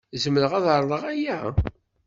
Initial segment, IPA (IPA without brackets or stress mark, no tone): z